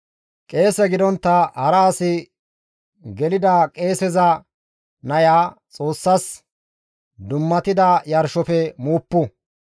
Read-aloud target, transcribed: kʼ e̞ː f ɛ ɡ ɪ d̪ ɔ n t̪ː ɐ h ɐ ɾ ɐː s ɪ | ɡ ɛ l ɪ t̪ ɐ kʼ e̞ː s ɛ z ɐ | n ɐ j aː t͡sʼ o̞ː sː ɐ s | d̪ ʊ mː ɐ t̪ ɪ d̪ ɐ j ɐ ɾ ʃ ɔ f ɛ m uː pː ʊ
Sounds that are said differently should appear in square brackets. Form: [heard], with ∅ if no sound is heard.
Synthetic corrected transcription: kʼ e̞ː [s] ɛ ɡ ɪ d̪ ɔ n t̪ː ɐ h ɐ ɾ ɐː s ɪ | ɡ ɛ l ɪ [d̪] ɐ kʼ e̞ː s ɛ z ɐ | n ɐ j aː t͡sʼ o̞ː sː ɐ s | d̪ ʊ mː ɐ t̪ ɪ d̪ ɐ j ɐ ɾ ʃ ɔ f ɛ m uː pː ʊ